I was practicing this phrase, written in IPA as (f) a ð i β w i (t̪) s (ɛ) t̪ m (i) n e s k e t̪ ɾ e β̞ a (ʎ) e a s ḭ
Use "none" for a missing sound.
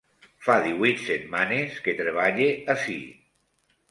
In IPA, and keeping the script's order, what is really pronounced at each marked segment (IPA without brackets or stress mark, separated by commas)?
f, t̪, e, a, ʎ